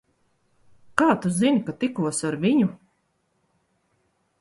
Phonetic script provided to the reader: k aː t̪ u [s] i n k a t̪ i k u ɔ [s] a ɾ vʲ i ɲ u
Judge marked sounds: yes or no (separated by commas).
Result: no, yes